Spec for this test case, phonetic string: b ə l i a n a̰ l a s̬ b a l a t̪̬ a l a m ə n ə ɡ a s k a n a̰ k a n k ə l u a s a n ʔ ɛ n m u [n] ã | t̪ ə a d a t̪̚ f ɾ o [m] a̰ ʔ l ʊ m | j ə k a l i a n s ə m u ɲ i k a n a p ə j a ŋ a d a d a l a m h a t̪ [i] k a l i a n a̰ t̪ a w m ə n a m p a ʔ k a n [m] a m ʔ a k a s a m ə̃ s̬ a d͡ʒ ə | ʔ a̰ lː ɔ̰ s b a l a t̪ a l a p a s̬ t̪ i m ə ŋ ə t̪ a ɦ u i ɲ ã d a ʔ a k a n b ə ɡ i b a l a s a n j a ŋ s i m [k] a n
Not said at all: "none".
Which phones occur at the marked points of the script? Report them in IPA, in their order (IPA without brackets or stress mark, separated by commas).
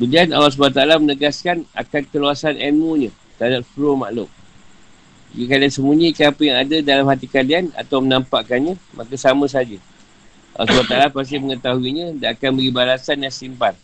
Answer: ɲ, m, i, ɲ, p